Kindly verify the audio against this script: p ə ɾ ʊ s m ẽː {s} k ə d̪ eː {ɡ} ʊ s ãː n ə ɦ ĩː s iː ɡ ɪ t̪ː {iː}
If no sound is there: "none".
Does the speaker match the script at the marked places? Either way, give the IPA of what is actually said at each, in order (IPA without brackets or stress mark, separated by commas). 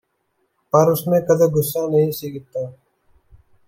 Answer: none, ɡ, aː